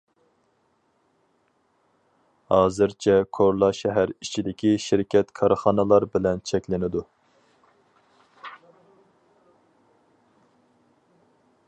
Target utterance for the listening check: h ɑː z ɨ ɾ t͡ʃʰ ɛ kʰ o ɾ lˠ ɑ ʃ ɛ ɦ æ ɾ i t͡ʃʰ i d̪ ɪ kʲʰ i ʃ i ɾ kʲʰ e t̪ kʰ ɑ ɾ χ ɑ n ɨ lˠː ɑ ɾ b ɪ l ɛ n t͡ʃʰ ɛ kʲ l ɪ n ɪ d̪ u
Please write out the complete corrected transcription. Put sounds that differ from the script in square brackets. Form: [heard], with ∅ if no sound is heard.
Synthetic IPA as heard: h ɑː z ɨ ɾ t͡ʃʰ ɛ kʰ o ɾ lˠ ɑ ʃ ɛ ɦ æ ɾ i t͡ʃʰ i d̪ ɪ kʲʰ i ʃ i ɾ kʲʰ [ɛ] t̪ kʰ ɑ ɾ χ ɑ n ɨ [lˠ] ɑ ɾ b ɪ l ɛ n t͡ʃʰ ɛ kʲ l ɪ n ɪ d̪ u